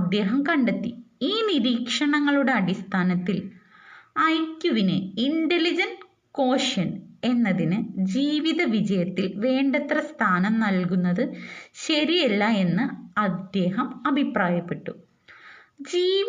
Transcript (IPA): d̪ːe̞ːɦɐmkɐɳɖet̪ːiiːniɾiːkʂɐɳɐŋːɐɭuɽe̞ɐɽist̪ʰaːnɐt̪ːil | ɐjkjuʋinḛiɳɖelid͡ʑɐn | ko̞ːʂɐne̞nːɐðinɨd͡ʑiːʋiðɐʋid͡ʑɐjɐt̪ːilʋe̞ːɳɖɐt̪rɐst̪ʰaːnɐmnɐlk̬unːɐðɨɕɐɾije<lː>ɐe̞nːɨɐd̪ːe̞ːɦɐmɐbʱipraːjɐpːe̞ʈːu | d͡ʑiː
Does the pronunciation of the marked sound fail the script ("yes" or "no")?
no